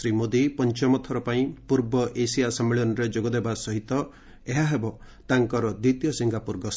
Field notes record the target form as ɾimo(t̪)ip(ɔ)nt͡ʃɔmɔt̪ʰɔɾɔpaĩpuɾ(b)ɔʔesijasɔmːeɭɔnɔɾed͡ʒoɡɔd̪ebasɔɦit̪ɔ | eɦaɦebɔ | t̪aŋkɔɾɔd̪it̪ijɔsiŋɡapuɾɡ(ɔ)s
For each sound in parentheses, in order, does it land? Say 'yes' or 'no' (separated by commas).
no, yes, yes, yes